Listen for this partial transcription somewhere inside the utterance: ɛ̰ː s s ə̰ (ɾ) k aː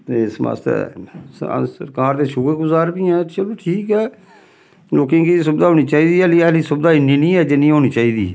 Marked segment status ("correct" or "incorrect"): correct